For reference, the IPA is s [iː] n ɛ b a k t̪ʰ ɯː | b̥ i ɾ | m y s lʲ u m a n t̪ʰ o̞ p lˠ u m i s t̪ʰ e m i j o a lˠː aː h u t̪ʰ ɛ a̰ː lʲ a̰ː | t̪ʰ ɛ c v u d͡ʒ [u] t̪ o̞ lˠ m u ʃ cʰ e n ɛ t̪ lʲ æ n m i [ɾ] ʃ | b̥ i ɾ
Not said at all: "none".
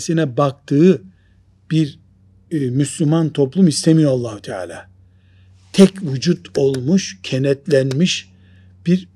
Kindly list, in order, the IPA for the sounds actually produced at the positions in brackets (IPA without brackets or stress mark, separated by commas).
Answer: i, u, none